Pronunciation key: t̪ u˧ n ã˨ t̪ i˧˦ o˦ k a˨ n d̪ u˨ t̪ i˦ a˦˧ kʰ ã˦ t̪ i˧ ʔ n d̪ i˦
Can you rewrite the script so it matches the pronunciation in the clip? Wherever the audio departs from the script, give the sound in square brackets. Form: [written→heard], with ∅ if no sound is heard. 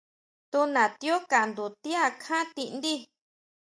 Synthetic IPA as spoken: t̪ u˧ n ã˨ t̪ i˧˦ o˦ k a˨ n d̪ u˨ t̪ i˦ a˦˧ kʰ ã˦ t̪ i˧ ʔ n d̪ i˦